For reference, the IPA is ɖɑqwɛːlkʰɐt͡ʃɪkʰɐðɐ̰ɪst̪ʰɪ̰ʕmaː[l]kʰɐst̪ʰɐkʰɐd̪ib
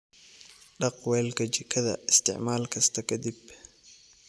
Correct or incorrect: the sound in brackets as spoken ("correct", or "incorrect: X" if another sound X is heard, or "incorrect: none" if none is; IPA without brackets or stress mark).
correct